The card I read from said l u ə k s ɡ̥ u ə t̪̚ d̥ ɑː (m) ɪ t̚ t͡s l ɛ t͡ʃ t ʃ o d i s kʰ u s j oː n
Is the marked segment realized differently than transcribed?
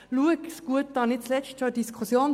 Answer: yes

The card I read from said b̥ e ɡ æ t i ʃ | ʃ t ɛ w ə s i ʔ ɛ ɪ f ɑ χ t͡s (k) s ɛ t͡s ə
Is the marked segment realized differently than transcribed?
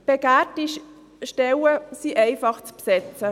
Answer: yes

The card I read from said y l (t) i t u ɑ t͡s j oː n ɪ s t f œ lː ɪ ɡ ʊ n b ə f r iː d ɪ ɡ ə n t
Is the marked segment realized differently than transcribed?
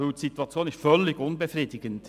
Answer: yes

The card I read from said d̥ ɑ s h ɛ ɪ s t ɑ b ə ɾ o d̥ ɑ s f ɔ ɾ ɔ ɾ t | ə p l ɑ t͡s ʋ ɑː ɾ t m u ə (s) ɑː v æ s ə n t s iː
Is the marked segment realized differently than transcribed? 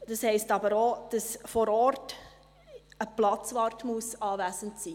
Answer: no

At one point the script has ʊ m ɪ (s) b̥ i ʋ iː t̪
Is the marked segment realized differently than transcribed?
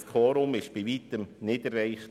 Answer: yes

